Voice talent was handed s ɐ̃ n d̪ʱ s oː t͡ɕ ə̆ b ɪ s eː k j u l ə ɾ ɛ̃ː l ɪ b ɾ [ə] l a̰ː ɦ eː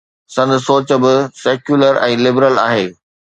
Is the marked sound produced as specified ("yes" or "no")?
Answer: yes